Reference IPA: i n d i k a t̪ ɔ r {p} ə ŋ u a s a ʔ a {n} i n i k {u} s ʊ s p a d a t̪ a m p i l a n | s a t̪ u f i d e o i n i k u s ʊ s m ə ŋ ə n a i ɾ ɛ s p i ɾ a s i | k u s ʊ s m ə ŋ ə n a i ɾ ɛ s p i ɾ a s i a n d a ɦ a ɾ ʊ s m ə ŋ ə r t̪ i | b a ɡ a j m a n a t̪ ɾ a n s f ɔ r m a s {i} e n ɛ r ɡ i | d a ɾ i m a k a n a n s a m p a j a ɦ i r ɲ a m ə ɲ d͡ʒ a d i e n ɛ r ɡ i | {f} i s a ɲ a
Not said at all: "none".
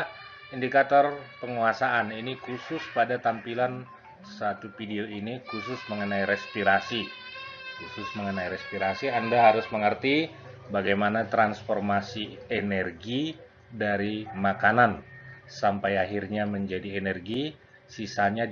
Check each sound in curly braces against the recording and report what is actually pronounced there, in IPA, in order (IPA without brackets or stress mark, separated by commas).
p, n, u, i, s